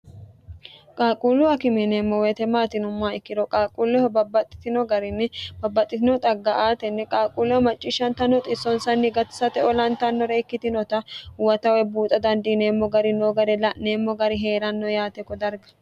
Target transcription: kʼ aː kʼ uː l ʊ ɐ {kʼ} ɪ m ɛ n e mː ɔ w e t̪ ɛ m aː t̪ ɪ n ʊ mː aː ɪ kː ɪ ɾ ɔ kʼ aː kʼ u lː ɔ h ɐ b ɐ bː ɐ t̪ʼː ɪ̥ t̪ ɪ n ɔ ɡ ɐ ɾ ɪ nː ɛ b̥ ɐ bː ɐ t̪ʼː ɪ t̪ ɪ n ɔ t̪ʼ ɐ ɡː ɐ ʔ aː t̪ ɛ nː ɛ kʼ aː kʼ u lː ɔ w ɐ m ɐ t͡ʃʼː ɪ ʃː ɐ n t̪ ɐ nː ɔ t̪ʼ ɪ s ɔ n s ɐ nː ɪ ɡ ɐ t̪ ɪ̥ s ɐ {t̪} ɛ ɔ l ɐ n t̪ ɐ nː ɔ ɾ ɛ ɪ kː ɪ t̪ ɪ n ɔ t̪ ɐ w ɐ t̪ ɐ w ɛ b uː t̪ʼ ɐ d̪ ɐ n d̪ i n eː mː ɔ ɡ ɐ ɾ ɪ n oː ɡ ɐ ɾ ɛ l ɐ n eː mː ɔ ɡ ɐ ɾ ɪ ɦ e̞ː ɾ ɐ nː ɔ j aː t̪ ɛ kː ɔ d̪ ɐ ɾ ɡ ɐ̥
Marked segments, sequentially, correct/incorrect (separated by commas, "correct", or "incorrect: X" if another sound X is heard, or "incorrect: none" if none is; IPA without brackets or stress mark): incorrect: k, correct